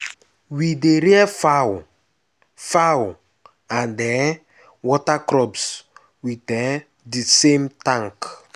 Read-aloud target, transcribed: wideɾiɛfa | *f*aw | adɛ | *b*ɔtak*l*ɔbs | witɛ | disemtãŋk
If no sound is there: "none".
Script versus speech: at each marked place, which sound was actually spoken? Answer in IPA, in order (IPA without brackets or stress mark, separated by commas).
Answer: f, w, ɾ